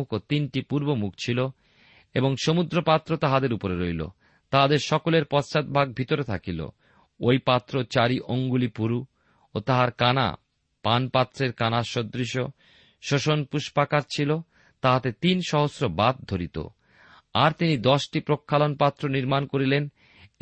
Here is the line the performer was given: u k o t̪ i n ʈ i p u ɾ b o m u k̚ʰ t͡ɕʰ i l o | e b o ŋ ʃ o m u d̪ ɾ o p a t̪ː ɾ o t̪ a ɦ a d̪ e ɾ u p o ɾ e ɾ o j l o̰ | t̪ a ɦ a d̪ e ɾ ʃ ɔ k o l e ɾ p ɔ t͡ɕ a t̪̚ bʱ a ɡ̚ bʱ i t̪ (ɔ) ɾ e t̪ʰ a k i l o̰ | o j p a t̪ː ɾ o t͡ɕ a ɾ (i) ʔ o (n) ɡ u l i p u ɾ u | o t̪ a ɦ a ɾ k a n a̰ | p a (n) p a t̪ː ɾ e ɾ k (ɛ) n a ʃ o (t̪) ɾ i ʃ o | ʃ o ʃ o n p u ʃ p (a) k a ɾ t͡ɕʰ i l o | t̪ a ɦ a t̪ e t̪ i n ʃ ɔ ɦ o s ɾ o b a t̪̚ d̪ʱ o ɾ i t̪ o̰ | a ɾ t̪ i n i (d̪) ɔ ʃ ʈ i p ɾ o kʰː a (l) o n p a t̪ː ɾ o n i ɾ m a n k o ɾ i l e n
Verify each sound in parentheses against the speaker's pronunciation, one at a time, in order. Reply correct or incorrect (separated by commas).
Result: incorrect, correct, incorrect, correct, incorrect, incorrect, correct, correct, correct